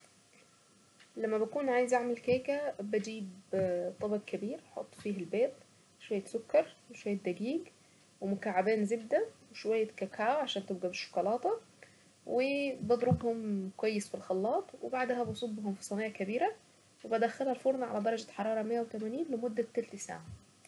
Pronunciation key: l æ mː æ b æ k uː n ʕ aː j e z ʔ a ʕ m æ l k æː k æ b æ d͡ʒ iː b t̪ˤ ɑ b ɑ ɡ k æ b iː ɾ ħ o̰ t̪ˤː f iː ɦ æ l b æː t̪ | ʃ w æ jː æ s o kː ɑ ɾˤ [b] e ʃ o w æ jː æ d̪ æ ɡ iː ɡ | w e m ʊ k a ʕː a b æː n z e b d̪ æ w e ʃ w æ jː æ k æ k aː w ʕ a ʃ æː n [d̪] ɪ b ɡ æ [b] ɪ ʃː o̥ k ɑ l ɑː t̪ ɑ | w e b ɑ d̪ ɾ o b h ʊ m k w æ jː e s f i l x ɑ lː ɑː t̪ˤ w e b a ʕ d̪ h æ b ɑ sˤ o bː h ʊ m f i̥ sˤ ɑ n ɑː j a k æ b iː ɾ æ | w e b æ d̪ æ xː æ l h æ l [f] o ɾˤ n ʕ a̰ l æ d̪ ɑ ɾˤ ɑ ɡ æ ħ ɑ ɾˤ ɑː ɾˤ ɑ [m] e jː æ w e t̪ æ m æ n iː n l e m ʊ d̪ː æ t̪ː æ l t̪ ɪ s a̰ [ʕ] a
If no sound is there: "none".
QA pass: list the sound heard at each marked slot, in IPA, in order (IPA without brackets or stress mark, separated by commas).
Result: w, t̪, b, f, m, ʕ